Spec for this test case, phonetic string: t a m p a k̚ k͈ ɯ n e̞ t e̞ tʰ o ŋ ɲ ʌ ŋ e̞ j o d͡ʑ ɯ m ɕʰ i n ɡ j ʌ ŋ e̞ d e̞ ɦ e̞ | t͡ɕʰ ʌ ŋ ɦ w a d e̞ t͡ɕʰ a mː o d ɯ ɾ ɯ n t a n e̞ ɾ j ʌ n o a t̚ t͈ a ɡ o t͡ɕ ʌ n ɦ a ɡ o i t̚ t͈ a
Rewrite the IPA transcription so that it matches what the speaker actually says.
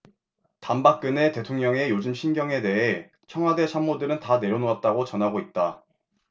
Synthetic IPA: t a m b a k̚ k͈ ɯ n e̞ t e̞ tʰ o ŋ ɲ ʌ ŋ e̞ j o d͡ʑ ɯ m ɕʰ i n ɡ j ʌ ŋ e̞ d e̞ ɦ e̞ | t͡ɕʰ ʌ ŋ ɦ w a d e̞ t͡ɕʰ a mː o d ɯ ɾ ɯ n t a n e̞ ɾ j ʌ n o a t̚ t͈ a ɡ o t͡ɕ ʌ n ɦ a ɡ o i t̚ t͈ a